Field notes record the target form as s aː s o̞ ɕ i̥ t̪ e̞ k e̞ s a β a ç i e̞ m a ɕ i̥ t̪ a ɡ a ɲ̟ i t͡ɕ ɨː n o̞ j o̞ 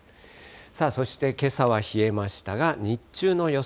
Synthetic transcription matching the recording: s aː s o̞ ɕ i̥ t̪ e̞ k e̞ s a β a ç i e̞ m a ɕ i̥ t̪ a ɡ a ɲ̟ i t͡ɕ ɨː n o̞ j o̞